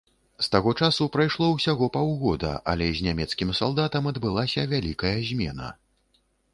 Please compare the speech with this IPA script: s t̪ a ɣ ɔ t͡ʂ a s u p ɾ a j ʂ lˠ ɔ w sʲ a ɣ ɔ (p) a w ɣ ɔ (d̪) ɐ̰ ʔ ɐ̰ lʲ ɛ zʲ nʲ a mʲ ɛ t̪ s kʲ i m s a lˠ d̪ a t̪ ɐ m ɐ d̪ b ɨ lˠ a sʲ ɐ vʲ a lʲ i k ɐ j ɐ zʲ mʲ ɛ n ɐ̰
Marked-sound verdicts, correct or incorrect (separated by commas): correct, correct